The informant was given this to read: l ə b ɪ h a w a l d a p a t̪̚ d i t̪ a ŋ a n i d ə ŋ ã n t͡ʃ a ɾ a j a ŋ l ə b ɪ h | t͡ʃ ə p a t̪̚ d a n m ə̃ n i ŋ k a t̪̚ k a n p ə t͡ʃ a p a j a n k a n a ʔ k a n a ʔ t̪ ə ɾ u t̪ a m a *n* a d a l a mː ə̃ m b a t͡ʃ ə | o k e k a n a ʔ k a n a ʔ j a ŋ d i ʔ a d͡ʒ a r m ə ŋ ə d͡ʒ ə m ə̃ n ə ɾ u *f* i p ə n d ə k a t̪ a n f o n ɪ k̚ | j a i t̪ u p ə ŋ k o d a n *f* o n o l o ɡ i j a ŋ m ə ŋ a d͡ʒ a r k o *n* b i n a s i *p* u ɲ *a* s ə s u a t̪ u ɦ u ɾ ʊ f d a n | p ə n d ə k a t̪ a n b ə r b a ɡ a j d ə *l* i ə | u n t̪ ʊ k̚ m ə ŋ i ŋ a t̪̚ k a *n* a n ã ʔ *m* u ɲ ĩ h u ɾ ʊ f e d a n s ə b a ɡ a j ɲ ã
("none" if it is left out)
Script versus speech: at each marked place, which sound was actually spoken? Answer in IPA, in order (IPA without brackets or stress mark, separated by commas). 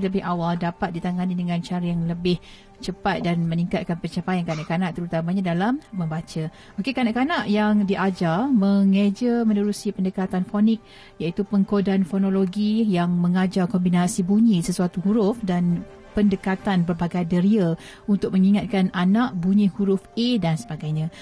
ɲ, s, f, m, b, i, ɾ, n, b